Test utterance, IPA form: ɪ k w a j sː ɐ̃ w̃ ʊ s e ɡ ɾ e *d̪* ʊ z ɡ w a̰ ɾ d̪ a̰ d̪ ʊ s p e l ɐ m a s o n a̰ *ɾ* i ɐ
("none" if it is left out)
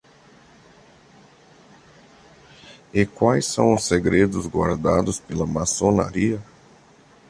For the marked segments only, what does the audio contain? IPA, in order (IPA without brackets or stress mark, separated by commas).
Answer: d̪, ɾ